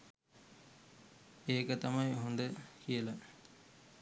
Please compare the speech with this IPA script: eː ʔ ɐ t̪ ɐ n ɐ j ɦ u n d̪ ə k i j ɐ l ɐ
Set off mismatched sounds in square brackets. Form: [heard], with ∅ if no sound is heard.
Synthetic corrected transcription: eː [k] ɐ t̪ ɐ [m] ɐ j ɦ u n d̪ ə k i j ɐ l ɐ